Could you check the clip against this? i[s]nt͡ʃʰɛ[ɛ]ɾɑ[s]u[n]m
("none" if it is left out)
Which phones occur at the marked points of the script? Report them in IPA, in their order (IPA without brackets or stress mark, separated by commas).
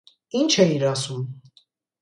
none, i, s, none